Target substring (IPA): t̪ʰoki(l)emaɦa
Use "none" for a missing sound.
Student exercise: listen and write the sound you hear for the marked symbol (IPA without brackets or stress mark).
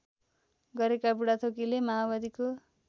l